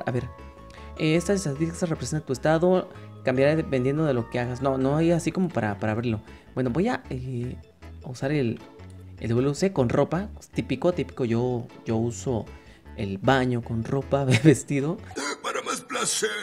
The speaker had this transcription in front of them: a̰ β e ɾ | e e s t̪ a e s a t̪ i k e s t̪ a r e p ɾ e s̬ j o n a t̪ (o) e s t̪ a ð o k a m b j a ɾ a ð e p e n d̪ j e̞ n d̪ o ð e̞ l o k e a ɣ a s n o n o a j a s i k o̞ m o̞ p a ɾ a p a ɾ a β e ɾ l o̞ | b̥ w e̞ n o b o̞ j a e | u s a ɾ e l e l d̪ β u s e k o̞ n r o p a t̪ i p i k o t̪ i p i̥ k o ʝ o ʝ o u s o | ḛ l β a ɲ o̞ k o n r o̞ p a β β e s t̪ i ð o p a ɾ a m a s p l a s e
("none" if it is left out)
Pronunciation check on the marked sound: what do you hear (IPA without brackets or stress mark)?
u